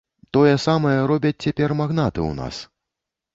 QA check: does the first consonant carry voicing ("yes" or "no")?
no